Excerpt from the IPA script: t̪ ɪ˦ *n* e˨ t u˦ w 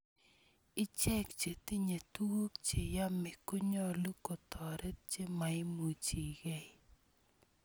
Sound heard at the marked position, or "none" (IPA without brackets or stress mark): ɲ